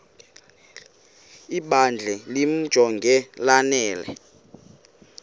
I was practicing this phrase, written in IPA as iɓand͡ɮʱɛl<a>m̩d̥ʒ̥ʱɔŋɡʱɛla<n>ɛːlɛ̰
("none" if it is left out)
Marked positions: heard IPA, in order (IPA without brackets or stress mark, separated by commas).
i, n